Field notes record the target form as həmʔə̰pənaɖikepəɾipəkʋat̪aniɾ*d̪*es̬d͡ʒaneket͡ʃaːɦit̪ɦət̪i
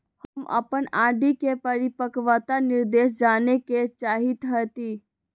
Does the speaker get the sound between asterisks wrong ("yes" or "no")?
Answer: no